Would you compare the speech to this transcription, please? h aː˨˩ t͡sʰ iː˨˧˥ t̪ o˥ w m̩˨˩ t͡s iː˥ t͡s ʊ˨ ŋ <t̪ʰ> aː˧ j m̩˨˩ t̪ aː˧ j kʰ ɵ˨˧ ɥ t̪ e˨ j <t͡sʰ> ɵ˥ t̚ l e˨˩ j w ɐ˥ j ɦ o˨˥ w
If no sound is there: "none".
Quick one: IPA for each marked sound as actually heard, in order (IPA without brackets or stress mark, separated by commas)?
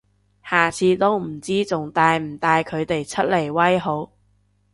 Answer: t̪, t͡sʰ